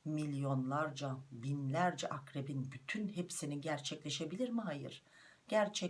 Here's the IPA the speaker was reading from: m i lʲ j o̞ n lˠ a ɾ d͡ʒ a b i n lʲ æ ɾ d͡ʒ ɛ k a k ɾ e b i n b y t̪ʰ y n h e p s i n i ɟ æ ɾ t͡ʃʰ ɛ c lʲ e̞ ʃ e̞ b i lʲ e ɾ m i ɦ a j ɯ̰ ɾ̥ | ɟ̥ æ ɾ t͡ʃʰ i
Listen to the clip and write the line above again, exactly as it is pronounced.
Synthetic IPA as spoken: m i lʲ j o̞ n lˠ a ɾ d͡ʒ a b i n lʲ æ ɾ d͡ʒ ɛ ʔ a k ɾ e b i n b y t̪ʰ y n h e p s i n i ɟ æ ɾ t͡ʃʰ ɛ c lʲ e̞ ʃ e̞ b i lʲ i ɾ m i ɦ a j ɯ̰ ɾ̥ | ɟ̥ æ ɾ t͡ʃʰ ɛ